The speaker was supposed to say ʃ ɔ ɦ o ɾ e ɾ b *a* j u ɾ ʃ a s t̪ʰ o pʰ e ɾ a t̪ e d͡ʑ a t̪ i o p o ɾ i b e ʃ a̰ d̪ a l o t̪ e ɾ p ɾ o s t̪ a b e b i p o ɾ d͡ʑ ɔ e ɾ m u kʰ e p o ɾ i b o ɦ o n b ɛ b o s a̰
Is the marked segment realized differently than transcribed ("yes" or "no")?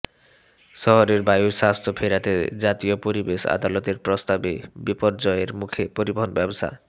no